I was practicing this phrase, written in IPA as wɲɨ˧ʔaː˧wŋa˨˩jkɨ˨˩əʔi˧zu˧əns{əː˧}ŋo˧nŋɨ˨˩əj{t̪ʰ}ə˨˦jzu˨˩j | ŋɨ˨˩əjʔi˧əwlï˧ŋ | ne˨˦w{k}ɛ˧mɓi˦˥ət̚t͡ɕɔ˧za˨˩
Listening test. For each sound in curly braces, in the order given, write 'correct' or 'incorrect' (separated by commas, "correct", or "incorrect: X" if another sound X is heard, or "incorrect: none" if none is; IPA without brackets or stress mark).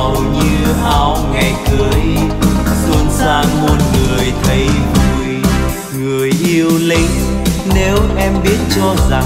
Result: incorrect: aː˧, correct, incorrect: ʔ